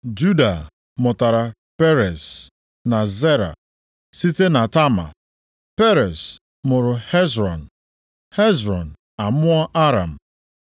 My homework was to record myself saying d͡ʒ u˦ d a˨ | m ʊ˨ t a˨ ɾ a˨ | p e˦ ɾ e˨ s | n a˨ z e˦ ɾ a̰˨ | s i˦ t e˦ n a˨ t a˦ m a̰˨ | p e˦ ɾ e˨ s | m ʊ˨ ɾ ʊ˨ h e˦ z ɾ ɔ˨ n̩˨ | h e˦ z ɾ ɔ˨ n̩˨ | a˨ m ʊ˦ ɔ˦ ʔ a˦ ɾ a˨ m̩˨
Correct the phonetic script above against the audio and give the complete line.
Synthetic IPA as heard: d͡ʒ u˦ d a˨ | m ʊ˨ t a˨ ɾ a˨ | p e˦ ɾ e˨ s | n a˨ z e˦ ɾ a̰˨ | s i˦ t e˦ n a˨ t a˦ m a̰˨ | p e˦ ɾ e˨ s | m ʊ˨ ɾ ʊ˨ h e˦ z ɾ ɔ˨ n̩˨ | h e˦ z ɾ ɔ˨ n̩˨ | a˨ m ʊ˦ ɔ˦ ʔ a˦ ɾ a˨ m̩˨